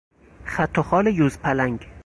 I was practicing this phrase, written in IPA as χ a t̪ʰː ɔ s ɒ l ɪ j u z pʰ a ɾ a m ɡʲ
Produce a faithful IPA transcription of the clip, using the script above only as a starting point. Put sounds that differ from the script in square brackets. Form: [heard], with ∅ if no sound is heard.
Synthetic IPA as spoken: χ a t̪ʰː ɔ [χ] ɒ l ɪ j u z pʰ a [l] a [ŋ] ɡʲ